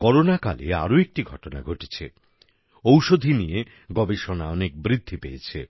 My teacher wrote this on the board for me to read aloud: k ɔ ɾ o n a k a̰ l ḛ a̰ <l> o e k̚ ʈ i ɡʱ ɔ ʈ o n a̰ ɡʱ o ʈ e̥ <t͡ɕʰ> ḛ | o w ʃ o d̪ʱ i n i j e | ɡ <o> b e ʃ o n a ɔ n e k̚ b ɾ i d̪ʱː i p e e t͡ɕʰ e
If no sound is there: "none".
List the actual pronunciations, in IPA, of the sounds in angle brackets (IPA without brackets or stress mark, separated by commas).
ɾ, t͡ɕʰ, ɔ